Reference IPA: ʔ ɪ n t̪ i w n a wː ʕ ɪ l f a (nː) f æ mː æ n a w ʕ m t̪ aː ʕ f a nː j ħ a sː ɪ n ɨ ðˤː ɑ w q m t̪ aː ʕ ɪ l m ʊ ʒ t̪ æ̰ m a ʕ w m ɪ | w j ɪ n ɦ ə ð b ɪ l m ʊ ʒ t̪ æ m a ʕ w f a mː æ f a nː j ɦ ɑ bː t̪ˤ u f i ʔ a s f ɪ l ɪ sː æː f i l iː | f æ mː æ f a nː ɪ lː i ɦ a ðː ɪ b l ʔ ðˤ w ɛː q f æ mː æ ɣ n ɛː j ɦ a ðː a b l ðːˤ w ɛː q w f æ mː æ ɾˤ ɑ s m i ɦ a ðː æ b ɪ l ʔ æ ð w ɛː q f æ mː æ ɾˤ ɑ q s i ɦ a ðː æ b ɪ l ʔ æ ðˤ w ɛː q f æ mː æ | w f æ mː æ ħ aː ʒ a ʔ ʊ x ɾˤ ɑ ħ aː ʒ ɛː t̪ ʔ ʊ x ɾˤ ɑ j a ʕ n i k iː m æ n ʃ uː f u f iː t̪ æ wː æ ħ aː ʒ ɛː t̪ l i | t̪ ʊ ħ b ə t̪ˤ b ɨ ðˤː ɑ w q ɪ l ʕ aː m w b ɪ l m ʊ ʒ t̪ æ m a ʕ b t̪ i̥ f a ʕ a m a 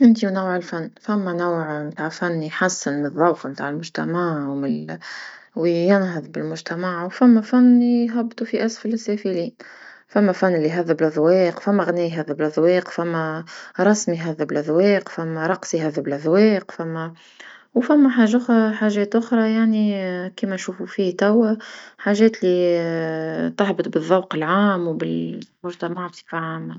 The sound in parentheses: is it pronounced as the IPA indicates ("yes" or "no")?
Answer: yes